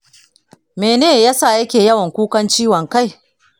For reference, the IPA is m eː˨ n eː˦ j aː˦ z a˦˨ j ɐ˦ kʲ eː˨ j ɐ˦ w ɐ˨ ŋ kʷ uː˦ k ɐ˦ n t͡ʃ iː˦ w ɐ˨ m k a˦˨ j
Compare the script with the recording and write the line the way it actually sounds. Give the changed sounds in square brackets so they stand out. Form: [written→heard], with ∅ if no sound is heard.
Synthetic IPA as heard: m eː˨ n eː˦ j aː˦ [z→s] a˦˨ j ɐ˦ kʲ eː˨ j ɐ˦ w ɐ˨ ŋ kʷ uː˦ k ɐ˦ n t͡ʃ iː˦ w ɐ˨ [m→ŋ] k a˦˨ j